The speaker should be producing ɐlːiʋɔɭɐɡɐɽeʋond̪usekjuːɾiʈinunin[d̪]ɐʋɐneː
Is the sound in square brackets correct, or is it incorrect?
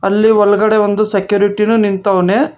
incorrect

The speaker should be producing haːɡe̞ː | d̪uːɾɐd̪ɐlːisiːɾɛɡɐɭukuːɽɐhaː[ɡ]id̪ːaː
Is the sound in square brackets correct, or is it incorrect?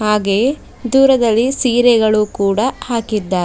incorrect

